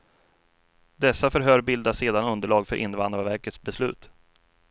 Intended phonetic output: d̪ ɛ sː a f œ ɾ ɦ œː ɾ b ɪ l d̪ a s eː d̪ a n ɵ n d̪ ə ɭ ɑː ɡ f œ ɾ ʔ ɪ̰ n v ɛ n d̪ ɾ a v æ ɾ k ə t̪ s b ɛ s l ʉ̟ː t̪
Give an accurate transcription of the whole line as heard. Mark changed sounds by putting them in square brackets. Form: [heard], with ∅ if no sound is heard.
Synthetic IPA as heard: d̪ ɛ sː a f œ ɾ ɦ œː ɾ b ɪ l d̪ a s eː d̪ a n ɵ n d̪ ə ɭ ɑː ɡ f œ ɾ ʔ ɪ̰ n v [a] n d̪ ɾ a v æ ɾ k ə t̪ s b ɛ s l ʉ̟ː t̪